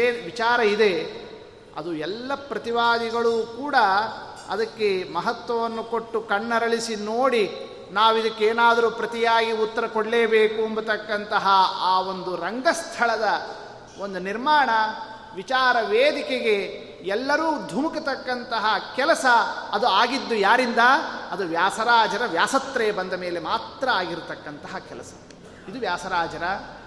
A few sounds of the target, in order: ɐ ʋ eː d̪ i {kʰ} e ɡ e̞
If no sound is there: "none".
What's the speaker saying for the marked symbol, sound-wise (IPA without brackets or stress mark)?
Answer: k